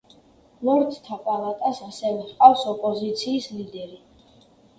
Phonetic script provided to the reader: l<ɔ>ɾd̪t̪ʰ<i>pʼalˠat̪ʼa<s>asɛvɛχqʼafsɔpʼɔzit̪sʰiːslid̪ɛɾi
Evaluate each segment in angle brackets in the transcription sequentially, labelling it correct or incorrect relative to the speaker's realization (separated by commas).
correct, incorrect, correct